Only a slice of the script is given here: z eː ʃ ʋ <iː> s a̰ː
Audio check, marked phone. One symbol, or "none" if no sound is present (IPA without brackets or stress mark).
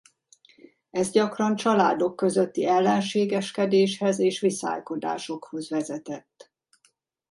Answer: i